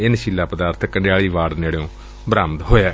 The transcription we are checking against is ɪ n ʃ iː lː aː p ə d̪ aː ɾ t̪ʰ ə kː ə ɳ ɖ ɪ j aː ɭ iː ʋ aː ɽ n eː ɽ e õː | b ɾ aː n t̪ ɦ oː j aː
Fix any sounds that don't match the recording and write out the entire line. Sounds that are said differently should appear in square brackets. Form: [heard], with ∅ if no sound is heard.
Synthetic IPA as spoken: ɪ n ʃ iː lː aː p ə d̪ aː ɾ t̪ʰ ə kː ə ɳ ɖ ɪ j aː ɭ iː ʋ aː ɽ n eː ɽ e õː | b ɾ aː [m] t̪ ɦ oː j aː

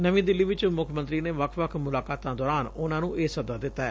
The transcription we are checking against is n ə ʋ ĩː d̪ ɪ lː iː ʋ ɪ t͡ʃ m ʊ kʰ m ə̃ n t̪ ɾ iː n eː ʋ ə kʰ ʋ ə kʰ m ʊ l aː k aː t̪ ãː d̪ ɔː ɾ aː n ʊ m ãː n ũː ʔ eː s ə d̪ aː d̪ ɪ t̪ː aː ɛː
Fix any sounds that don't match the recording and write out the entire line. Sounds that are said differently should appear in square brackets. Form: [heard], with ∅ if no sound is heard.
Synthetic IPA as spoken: n ə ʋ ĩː d̪ ɪ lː iː ʋ ɪ t͡ʃ m ʊ kʰ m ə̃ n t̪ ɾ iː n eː ʋ ə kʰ ʋ ə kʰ m ʊ l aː k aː t̪ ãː d̪ ɔː ɾ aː n ʊ [n] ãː n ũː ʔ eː s ə d̪ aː d̪ ɪ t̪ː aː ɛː

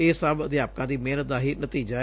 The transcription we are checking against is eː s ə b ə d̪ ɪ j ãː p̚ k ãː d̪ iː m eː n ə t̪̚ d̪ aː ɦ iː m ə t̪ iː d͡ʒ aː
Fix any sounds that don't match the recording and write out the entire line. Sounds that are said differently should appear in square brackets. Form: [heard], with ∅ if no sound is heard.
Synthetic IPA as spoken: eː s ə b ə d̪ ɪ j [aː] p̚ k ãː d̪ iː m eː n ə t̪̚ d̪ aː ɦ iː [n] ə t̪ iː d͡ʒ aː

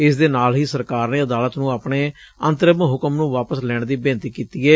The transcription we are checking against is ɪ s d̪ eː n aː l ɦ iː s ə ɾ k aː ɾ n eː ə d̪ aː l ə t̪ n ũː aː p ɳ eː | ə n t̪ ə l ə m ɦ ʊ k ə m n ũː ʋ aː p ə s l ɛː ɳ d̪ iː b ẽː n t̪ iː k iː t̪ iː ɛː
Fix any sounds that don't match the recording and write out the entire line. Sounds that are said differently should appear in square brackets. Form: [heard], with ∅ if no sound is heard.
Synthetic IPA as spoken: ɪ s d̪ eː n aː l ɦ iː s ə ɾ k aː ɾ n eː ə d̪ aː l ə t̪ n ũː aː p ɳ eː | ə n t̪ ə [ɾ] ə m ɦ ʊ k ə m n ũː ʋ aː p ə s l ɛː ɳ d̪ iː b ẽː n t̪ iː k iː t̪ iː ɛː

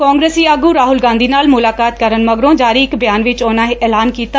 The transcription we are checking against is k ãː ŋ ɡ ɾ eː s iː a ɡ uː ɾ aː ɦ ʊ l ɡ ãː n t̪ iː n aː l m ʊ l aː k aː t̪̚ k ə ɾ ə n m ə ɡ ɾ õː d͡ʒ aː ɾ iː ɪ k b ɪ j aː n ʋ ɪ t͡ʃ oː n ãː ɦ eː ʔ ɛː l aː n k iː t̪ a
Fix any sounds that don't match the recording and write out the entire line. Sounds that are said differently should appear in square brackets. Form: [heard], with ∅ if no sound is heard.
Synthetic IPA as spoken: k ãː ŋ ɡ ɾ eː s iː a ɡ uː ɾ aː ɦ ʊ l ɡ ãː n [d̪] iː n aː l m ʊ l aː k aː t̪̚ k ə ɾ ə n m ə ɡ ɾ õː d͡ʒ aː ɾ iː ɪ k b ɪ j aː n ʋ ɪ t͡ʃ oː n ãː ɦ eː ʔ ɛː l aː n k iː t̪ a

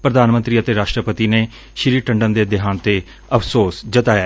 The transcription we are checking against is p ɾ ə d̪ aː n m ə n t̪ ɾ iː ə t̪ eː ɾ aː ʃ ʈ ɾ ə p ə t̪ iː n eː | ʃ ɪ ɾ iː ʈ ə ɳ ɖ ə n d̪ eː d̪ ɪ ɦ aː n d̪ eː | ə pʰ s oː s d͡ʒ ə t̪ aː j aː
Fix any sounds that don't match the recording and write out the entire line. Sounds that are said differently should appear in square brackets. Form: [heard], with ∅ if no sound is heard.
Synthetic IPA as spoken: p ɾ ə d̪ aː n m ə n t̪ ɾ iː ə t̪ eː ɾ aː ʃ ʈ ɾ ə p ə t̪ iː n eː | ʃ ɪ ɾ iː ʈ ə ɳ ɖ ə n d̪ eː d̪ ɪ ɦ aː n [t̪] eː | ə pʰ s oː s d͡ʒ ə t̪ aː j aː

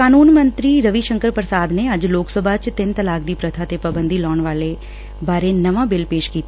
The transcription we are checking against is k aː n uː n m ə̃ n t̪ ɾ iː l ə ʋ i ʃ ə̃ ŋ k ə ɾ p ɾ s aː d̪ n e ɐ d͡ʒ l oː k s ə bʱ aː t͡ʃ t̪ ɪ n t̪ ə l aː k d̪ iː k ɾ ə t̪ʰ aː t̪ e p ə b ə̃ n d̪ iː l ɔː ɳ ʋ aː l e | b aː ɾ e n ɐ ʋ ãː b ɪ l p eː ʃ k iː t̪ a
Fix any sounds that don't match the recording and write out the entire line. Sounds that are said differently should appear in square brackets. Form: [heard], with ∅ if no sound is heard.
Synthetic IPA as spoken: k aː n uː n m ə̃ n t̪ ɾ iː [ɾ] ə ʋ i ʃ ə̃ ŋ k ə ɾ p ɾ s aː d̪ n e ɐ d͡ʒ l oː k s ə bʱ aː t͡ʃ t̪ ɪ n t̪ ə l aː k d̪ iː [p] ɾ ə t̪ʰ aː t̪ e p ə b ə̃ n d̪ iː l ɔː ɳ ʋ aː l e | b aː ɾ e n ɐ ʋ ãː b ɪ l p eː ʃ k iː t̪ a

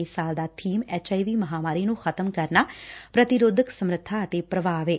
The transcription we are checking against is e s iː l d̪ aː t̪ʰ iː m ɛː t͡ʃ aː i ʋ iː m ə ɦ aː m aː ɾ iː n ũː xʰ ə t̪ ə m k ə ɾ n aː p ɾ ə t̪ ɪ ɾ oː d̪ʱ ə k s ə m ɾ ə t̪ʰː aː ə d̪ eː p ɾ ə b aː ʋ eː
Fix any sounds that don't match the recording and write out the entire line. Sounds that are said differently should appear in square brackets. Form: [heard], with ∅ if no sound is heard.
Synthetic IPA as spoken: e s [aː] l d̪ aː t̪ʰ iː m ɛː t͡ʃ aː i ʋ iː m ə ɦ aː m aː ɾ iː n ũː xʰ ə t̪ ə m k ə ɾ n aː p ɾ ə t̪ ɪ ɾ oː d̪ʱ ə k s ə m ɾ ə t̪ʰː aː ə [t̪] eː p ɾ ə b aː ʋ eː

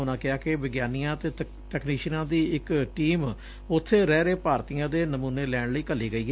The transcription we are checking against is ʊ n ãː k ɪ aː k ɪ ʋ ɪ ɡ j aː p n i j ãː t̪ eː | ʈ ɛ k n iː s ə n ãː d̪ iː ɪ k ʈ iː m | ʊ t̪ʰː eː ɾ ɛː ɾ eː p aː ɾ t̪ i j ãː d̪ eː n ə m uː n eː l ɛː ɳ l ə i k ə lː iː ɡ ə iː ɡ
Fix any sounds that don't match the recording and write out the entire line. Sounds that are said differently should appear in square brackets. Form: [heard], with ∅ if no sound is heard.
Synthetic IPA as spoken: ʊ n ãː k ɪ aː k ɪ ʋ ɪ ɡ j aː [∅] n i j ãː t̪ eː | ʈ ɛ k n iː [ʃ] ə n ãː d̪ iː ɪ k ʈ iː m | ʊ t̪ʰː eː ɾ ɛː ɾ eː p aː ɾ t̪ i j ãː d̪ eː n ə m uː n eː l ɛː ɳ l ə [iː] k ə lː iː ɡ ə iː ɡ

